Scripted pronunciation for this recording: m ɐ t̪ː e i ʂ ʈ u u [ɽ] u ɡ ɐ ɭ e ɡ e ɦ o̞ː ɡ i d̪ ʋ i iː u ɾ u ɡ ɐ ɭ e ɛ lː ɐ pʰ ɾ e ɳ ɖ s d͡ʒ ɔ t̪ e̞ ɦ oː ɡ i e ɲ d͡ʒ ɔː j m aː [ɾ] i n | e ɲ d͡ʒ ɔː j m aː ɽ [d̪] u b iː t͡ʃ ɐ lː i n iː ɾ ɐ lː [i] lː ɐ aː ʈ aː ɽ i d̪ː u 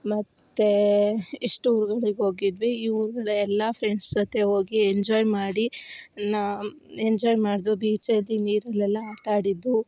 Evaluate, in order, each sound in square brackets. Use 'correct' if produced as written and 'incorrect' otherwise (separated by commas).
incorrect, incorrect, correct, incorrect